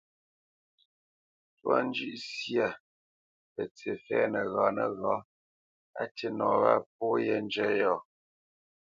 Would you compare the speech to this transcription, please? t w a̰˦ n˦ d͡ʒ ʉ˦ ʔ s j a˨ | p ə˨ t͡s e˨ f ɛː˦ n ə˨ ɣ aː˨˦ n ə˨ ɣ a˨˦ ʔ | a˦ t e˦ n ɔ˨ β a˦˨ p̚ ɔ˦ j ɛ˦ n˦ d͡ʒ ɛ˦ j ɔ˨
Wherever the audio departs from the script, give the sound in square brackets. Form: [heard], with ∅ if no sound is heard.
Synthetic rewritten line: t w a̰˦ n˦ d͡ʒ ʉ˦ ʔ s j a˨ | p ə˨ t͡s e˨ f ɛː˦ n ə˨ ɣ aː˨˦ n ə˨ ɣ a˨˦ [∅] | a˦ t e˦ n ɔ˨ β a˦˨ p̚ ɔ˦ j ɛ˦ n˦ d͡ʒ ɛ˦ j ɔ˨

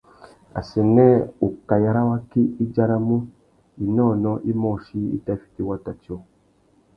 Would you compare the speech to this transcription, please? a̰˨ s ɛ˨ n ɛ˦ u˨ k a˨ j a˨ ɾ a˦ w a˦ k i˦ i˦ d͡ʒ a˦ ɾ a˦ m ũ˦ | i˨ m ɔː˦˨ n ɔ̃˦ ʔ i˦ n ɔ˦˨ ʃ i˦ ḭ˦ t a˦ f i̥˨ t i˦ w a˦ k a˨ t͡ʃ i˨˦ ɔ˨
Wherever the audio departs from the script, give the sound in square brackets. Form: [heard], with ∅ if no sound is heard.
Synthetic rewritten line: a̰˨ s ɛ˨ n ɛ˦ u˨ k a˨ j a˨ ɾ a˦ w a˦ k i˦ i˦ d͡ʒ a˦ ɾ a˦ m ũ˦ | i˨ [n] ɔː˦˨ n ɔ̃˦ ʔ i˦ [m] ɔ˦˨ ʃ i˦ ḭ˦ t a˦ f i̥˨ t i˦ w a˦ [t] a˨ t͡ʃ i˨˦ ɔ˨

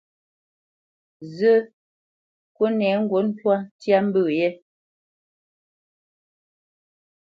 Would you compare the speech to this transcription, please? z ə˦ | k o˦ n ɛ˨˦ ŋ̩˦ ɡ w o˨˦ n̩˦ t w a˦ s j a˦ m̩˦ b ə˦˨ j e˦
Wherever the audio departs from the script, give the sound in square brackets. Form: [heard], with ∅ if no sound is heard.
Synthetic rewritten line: z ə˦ | k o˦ n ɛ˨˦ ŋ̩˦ ɡ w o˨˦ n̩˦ t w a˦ [t] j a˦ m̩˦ b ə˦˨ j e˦

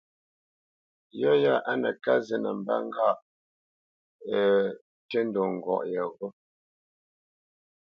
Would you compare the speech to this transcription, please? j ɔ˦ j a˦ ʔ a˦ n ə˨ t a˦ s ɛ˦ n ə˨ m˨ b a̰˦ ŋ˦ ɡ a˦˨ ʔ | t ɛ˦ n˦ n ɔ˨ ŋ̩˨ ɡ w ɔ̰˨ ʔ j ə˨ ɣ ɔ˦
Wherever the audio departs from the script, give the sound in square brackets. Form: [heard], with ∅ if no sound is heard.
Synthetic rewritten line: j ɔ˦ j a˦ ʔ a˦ n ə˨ [k] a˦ [z] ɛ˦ n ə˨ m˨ b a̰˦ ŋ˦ ɡ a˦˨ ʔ | t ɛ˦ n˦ [d] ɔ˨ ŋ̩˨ ɡ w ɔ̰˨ ʔ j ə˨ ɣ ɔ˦

